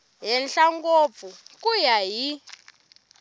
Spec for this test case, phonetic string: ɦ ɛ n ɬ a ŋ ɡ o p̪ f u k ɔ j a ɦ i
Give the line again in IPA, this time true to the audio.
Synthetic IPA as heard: ɦ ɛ n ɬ a ŋ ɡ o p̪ f u k u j a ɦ i